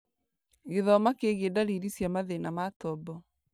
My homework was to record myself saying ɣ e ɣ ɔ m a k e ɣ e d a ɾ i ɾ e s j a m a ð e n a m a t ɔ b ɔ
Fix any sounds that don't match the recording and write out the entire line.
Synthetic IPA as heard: ɣ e ð ɔ m a k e ɣ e d a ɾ i ɾ i s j a m a ð e n a m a t ɔ b ɔ